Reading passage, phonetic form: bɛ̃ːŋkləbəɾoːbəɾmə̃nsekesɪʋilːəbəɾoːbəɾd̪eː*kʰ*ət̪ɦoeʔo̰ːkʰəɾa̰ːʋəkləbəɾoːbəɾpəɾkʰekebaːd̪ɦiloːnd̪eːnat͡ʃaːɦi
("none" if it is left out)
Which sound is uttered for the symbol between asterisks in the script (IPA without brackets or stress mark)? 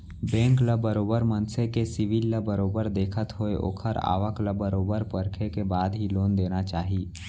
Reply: kʰ